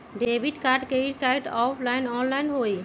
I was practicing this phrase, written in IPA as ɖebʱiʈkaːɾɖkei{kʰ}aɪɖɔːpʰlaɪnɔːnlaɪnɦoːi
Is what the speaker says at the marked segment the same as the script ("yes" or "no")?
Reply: no